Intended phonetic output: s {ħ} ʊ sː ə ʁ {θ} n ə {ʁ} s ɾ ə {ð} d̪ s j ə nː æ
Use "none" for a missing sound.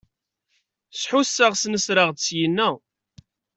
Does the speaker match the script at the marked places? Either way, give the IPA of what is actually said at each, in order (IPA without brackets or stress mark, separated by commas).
ħ, s, none, ʁ